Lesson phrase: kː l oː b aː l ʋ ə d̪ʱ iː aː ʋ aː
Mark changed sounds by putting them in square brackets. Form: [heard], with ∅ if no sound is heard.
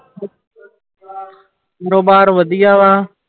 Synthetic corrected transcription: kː [ɾ] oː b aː [ɾ] ʋ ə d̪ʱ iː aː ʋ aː